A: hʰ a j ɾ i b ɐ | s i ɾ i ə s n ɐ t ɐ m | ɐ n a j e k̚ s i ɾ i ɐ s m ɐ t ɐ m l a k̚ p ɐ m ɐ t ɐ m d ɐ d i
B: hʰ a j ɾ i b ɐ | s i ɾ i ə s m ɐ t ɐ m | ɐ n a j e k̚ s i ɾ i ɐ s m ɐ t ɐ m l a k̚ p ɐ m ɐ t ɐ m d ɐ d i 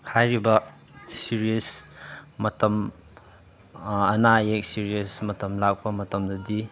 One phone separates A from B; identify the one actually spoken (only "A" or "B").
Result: B